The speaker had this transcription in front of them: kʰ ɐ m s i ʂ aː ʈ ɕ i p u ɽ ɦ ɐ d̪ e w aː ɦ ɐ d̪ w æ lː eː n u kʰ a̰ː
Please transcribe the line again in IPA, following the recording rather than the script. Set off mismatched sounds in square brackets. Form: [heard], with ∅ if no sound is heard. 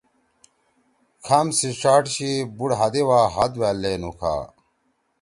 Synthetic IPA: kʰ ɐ m s i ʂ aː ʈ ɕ i [b] u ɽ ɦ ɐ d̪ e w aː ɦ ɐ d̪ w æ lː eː n u kʰ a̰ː